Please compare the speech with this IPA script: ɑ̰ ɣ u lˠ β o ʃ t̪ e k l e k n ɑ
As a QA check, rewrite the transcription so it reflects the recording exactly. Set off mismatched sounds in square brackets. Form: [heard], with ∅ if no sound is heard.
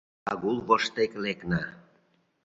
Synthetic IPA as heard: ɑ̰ ɣ u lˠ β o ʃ t̪ e k l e k n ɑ